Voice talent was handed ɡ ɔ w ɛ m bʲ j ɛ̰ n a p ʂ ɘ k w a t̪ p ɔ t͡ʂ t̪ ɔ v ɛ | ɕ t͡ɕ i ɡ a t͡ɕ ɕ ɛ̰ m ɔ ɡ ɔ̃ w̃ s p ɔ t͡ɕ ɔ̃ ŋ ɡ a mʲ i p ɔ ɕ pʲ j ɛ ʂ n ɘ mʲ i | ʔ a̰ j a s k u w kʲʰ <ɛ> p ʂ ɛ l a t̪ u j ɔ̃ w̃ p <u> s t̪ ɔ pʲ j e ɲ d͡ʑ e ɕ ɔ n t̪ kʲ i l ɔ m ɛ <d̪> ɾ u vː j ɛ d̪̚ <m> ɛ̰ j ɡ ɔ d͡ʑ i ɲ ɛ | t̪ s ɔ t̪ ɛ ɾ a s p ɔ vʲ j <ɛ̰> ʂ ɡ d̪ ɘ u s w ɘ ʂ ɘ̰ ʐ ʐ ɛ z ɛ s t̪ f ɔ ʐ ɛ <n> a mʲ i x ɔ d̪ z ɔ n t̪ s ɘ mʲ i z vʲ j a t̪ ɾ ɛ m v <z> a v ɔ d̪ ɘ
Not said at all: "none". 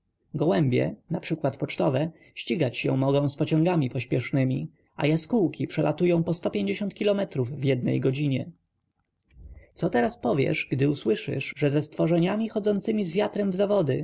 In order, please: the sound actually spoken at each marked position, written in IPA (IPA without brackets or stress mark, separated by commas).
i, ɔ, t̪, n, ɛ̰, ɲ, z